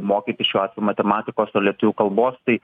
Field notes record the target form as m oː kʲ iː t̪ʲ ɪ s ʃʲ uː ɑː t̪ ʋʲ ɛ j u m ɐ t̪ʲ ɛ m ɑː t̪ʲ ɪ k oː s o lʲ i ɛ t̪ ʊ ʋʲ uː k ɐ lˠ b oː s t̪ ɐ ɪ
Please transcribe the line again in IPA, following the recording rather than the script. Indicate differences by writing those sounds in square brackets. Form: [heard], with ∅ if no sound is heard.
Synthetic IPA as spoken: m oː kʲ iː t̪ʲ ɪ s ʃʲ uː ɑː t̪ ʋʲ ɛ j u m ɐ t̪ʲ ɛ m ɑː t̪ʲ ɪ k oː s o lʲ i ɛ t̪ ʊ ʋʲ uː k ɐ lˠ b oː s t̪ ɐ ɪ

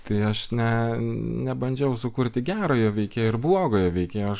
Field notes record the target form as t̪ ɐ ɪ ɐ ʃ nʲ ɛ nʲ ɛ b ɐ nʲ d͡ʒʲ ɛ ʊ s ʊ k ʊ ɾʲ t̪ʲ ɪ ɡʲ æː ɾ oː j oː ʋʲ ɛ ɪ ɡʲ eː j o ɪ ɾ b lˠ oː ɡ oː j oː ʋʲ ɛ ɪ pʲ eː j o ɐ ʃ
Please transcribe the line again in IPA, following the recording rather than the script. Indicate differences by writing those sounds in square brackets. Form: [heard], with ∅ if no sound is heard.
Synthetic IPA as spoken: t̪ ɐ ɪ ɐ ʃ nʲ ɛ nʲ ɛ b ɐ nʲ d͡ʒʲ ɛ ʊ s ʊ k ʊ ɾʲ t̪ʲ ɪ ɡʲ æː ɾ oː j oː ʋʲ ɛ ɪ [kʲ] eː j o ɪ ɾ b lˠ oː ɡ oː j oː ʋʲ ɛ ɪ [kʲ] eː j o ɐ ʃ

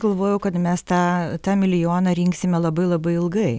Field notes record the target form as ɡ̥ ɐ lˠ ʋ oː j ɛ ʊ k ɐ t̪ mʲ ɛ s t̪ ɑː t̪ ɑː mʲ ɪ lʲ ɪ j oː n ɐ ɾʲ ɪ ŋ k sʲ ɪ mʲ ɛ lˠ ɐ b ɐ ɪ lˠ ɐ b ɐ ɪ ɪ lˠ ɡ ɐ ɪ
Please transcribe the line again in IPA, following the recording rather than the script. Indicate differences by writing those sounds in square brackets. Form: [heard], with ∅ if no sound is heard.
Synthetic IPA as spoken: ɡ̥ ɐ lˠ ʋ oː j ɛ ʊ k ɐ t̪ mʲ ɛ s t̪ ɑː t̪ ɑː mʲ ɪ lʲ ɪ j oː n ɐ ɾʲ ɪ ŋ k sʲ ɪ mʲ ɛ lˠ ɐ b ɐ ɪ lˠ ɐ b ɐ ɪ ɪ lˠ ɡ ɐ ɪ

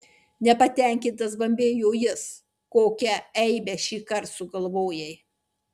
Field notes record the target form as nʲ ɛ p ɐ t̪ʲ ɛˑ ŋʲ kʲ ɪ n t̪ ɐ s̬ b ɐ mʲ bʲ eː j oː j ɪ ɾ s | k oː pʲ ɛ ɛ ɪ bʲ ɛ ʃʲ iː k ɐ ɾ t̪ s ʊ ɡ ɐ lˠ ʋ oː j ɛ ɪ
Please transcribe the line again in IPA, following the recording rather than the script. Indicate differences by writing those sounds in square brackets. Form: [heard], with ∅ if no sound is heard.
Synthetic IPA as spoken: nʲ ɛ p ɐ t̪ʲ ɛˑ ŋʲ kʲ ɪ n t̪ ɐ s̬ b ɐ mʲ bʲ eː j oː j ɪ [∅] s | k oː [kʲ] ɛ ɛ ɪ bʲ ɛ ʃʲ iː k ɐ ɾ t̪ s ʊ ɡ ɐ lˠ ʋ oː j ɛ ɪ

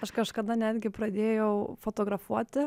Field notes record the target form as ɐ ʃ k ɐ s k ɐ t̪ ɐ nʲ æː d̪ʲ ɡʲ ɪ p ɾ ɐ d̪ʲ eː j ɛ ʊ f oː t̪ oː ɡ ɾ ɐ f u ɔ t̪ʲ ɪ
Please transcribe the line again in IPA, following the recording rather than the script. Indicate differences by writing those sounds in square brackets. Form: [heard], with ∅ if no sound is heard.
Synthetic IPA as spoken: ɐ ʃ k ɐ [ʃ] k ɐ [d̪] ɐ nʲ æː d̪ʲ ɡʲ ɪ p ɾ ɐ d̪ʲ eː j ɛ ʊ f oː t̪ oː ɡ ɾ ɐ f u ɔ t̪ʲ ɪ

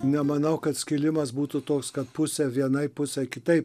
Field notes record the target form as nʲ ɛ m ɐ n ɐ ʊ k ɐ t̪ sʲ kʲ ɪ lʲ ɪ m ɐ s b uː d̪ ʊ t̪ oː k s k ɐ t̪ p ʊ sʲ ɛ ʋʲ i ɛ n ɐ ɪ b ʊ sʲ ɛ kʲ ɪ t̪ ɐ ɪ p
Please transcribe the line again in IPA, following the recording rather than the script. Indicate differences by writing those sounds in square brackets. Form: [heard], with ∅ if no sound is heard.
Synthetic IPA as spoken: nʲ ɛ m ɐ n ɐ ʊ k ɐ t̪ sʲ kʲ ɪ lʲ ɪ m ɐ s b uː [t̪] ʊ t̪ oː k s k ɐ t̪ p ʊ sʲ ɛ ʋʲ i ɛ n ɐ ɪ [p] ʊ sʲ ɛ kʲ ɪ t̪ ɐ ɪ p

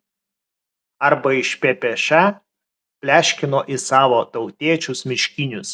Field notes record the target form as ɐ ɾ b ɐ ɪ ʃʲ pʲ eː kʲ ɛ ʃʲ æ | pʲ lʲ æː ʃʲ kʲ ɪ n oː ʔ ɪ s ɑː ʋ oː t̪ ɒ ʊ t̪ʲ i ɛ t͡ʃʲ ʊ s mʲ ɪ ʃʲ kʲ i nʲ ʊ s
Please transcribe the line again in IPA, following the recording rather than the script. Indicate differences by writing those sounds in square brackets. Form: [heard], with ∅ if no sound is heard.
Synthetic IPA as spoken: ɐ ɾ b ɐ ɪ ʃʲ pʲ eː [pʲ] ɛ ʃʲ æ | pʲ lʲ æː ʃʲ kʲ ɪ n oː ʔ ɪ s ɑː ʋ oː t̪ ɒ ʊ t̪ʲ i ɛ t͡ʃʲ ʊ s mʲ ɪ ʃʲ kʲ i nʲ ʊ s

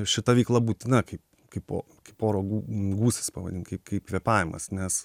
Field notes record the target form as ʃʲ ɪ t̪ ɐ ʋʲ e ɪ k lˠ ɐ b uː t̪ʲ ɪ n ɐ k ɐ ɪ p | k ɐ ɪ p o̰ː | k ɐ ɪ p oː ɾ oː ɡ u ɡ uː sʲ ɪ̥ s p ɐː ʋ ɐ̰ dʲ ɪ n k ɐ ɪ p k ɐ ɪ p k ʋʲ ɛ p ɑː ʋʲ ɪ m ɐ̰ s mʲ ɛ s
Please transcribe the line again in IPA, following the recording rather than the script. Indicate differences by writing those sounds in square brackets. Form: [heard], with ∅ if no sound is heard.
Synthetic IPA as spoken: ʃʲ ɪ t̪ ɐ ʋʲ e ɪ k lˠ ɐ b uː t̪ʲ ɪ n ɐ k ɐ ɪ p | k ɐ ɪ p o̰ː | k ɐ ɪ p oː ɾ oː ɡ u ɡ uː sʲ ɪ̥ s p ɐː ʋ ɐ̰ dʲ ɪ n k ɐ ɪ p k ɐ ɪ p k ʋʲ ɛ p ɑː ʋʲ ɪ m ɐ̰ s [nʲ] ɛ s

